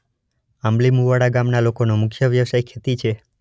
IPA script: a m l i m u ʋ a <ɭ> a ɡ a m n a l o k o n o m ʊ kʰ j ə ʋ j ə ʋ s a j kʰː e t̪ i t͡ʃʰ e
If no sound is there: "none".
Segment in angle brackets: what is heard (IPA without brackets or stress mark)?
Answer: ɽ